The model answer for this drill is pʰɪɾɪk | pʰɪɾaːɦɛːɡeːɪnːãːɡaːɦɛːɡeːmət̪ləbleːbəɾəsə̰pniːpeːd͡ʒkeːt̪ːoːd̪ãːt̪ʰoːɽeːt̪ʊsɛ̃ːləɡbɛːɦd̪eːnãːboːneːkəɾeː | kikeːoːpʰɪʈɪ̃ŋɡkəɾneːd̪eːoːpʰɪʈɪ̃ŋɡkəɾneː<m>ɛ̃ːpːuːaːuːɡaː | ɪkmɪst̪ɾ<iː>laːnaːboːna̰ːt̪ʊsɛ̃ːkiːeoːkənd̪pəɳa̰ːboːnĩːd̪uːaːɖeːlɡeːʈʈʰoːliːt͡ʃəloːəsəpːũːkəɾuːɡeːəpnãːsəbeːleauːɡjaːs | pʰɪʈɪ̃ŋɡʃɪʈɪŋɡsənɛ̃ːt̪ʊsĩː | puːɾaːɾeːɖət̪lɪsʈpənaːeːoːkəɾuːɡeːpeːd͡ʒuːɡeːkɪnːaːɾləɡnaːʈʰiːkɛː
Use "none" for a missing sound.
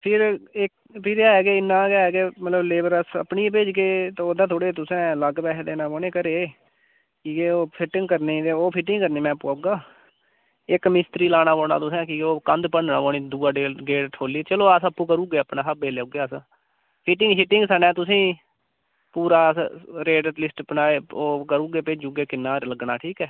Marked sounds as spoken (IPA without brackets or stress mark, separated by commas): m, iː